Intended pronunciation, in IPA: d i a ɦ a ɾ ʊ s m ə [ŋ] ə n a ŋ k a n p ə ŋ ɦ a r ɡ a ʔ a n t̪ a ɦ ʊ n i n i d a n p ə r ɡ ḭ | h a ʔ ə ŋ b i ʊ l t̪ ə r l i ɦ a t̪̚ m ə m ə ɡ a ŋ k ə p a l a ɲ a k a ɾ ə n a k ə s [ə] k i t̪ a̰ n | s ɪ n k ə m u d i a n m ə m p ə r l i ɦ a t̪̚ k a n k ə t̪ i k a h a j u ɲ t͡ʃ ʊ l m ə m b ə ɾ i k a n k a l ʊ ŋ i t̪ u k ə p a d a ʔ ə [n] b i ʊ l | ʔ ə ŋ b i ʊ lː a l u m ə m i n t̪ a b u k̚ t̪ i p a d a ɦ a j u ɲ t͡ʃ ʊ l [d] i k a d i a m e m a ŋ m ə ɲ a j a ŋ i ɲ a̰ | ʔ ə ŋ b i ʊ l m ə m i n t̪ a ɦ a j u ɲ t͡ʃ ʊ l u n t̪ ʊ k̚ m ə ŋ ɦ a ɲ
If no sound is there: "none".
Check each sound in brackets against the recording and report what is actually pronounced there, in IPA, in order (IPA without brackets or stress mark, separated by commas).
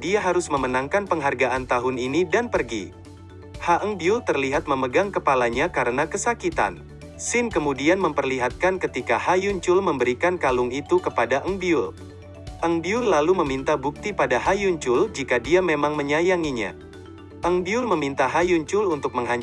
m, a, ŋ, d͡ʒ